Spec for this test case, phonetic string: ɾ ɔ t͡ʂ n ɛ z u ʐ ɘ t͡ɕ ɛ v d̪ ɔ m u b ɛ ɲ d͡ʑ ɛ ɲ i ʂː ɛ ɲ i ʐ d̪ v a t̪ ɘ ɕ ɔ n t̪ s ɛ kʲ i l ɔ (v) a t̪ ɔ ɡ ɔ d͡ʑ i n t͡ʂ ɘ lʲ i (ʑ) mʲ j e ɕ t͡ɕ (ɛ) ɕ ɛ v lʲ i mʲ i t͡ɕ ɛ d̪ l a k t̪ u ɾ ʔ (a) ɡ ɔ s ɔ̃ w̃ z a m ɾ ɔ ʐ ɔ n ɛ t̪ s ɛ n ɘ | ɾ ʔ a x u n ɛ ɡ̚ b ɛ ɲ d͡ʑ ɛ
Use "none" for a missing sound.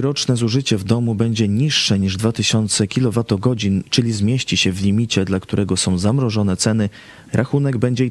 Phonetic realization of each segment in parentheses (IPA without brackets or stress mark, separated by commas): v, z, i, ɛ